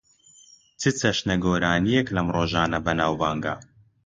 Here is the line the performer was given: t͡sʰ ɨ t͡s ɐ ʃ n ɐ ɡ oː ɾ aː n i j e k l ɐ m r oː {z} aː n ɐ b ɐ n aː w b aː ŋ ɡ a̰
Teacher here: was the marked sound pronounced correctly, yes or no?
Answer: no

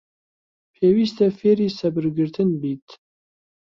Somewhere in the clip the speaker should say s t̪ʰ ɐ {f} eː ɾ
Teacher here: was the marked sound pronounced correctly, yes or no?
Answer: yes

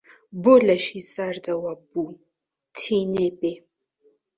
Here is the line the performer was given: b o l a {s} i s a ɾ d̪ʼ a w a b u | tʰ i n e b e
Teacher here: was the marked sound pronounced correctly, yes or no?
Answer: no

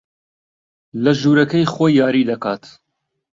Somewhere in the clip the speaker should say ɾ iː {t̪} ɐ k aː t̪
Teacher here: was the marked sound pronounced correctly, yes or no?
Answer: no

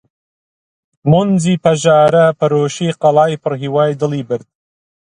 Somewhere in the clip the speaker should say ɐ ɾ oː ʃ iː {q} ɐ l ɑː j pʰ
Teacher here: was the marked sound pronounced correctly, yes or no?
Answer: yes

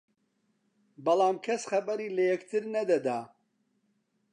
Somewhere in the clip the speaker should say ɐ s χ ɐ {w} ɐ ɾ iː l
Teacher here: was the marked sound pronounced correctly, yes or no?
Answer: no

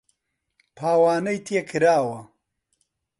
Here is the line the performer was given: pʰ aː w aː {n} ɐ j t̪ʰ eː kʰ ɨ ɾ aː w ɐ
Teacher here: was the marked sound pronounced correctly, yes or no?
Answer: yes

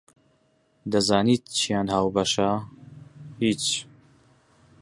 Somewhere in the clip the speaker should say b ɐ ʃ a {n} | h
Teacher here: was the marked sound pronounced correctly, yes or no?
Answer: no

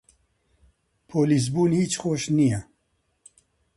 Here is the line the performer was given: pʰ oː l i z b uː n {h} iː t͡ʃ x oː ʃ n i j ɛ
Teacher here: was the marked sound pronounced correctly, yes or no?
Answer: yes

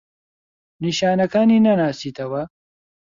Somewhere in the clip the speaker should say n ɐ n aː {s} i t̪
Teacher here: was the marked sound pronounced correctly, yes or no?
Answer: yes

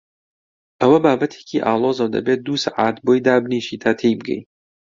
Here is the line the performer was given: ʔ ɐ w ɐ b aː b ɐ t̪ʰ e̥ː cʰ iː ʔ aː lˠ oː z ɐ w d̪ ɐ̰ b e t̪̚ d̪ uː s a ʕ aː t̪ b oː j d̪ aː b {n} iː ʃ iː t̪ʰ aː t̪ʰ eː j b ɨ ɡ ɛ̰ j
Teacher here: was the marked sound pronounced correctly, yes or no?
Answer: yes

